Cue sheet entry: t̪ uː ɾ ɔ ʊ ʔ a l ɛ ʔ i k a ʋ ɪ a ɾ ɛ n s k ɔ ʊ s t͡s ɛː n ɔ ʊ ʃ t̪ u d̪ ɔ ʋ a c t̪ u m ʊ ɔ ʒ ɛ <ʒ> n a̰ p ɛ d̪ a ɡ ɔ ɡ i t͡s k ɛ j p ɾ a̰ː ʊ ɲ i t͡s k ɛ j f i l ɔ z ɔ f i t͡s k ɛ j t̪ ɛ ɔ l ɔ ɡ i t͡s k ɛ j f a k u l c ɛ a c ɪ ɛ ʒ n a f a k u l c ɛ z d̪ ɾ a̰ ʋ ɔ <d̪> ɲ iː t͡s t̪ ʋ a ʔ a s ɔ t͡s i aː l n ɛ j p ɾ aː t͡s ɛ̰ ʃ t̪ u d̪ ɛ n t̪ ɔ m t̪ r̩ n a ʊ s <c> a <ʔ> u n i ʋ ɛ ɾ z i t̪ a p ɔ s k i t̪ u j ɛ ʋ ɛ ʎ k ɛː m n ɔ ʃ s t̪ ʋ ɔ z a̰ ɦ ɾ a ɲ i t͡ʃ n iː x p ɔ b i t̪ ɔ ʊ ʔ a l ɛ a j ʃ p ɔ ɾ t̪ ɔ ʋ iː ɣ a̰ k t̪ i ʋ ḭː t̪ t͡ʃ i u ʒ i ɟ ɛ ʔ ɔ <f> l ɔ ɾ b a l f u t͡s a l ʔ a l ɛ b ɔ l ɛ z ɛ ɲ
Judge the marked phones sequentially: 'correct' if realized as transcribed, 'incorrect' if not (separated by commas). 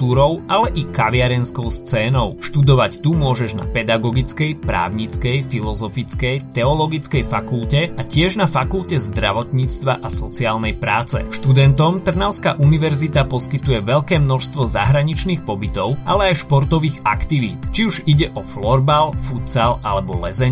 correct, incorrect, incorrect, correct, correct